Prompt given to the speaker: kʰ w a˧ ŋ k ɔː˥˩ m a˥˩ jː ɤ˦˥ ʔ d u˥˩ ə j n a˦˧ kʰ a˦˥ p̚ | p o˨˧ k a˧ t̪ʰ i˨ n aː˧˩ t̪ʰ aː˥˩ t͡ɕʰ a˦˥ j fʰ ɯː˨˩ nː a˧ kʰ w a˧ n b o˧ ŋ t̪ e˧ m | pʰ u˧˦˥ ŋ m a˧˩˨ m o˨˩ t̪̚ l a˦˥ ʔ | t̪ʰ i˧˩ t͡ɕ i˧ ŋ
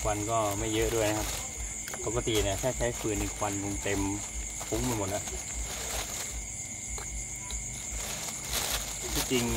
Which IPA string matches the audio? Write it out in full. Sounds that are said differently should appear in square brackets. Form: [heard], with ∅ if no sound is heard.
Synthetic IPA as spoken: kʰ w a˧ [n] k ɔː˥˩ m a˥˩ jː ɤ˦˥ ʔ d u˥˩ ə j n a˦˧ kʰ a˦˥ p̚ | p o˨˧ k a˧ [t̪] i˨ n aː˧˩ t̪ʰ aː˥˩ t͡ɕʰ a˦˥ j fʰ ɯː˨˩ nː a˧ kʰ w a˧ n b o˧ ŋ t̪ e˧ m | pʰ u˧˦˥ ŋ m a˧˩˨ m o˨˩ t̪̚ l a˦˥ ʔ | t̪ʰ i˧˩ t͡ɕ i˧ ŋ